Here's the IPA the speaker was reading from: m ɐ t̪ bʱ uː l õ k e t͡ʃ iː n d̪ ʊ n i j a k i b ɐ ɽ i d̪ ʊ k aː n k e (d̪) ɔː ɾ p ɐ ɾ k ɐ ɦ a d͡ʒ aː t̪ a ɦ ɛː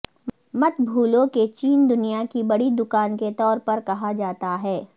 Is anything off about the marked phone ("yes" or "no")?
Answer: yes